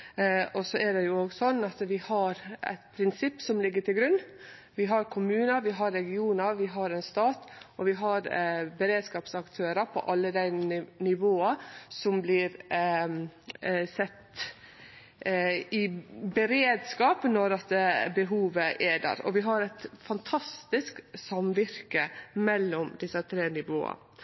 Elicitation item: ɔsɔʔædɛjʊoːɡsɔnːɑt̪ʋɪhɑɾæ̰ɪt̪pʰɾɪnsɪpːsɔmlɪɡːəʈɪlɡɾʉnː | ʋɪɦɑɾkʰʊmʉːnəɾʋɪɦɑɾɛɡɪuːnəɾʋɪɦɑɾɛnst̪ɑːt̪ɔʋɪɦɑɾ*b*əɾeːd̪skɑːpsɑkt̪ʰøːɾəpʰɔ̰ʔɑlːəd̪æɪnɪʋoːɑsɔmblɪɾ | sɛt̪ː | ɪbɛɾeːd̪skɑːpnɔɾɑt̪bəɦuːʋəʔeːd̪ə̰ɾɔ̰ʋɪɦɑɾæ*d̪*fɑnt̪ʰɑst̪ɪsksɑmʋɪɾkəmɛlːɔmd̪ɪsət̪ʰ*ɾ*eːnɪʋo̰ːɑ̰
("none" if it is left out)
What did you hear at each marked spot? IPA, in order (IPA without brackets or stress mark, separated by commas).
b, t̪, ɾ